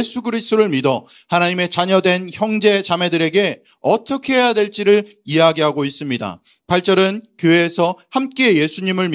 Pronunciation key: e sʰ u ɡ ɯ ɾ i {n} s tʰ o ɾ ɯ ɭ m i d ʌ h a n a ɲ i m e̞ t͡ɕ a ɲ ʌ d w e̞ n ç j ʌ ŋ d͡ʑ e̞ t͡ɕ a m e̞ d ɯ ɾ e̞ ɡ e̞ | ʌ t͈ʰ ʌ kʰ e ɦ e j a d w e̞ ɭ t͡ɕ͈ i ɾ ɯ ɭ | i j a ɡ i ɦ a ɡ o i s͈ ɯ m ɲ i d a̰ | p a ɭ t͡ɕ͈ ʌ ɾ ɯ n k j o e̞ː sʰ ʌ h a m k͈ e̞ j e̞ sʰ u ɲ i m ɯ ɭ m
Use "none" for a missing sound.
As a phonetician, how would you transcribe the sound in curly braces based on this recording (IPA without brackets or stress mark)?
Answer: none